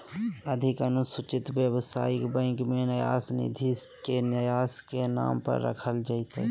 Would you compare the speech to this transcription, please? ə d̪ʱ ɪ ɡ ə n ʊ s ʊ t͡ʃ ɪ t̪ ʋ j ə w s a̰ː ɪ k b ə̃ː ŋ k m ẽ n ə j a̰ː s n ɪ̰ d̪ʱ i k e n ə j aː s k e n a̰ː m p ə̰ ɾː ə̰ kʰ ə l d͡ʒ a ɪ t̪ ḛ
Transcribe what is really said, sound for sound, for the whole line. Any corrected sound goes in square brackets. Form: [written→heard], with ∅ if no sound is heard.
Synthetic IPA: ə d̪ʱ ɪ [ɡ→k] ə n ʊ s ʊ t͡ʃ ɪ t̪ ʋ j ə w s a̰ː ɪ k b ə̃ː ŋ k m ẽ n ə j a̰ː s n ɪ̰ d̪ʱ i k e n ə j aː s k e n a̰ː m p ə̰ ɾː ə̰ kʰ ə l d͡ʒ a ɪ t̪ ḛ